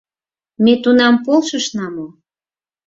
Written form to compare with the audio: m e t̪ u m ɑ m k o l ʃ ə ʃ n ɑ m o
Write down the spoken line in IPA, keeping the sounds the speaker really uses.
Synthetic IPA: m e t̪ u n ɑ m p o l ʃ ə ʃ n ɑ m o